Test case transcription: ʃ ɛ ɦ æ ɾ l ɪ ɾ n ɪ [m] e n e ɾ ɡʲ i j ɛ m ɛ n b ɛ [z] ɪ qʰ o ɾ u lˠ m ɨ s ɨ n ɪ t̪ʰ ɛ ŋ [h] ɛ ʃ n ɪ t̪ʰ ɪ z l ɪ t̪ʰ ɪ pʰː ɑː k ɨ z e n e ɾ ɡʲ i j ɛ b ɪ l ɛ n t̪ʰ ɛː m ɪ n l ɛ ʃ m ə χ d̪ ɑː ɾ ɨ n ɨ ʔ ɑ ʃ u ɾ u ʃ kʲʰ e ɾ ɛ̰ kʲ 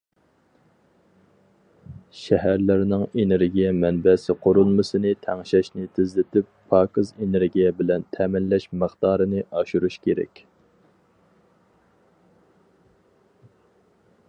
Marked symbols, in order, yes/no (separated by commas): no, no, no